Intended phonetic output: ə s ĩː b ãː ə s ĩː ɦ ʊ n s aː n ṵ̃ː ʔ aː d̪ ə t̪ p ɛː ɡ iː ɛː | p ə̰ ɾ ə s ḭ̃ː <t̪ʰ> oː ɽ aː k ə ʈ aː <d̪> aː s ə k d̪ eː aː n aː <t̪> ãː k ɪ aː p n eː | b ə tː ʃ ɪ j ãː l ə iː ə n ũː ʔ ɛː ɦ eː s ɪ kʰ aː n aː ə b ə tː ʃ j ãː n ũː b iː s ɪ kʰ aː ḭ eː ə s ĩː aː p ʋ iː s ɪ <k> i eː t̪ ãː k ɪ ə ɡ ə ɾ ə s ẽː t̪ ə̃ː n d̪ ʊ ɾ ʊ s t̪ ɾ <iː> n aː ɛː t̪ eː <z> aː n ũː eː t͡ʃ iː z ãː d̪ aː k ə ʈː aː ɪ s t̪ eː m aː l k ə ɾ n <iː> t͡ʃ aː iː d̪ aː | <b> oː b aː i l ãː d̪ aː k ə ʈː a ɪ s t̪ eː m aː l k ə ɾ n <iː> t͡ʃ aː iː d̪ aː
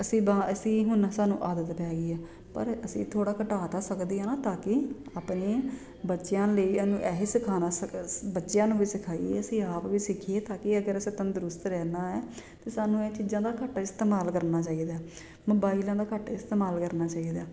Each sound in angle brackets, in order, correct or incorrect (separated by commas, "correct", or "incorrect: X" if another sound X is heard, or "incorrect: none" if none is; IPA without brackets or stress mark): correct, incorrect: t̪, correct, incorrect: kʰ, incorrect: ɛː, incorrect: s, incorrect: aː, incorrect: m, incorrect: aː